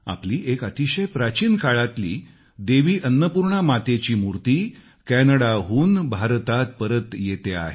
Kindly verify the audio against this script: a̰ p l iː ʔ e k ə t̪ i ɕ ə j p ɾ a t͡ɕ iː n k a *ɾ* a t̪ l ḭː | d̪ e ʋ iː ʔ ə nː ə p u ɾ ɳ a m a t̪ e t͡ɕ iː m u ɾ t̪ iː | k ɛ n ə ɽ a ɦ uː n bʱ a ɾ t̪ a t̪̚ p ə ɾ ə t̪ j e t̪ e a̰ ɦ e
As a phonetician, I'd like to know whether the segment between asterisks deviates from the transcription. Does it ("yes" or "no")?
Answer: yes